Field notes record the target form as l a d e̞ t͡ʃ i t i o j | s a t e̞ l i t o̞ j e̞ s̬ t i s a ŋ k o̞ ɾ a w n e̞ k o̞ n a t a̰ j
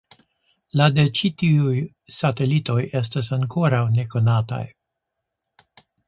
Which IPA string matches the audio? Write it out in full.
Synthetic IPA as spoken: l a d e̞ t͡ʃ i t i u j | s a t e̞ l i t o̞ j e̞ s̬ t a s a ŋ k o̞ ɾ a w n e̞ k o̞ n a t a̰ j